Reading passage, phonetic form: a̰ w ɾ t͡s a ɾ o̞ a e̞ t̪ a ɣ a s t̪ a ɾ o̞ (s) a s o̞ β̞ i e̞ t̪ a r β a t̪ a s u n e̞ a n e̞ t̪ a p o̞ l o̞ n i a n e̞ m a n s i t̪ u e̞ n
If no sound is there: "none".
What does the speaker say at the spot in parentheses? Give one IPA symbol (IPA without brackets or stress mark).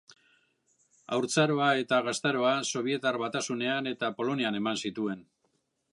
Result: none